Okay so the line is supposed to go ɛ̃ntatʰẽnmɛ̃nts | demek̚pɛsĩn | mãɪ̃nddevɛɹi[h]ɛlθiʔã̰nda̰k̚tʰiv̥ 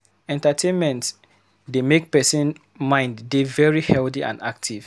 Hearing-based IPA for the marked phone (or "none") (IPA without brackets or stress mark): h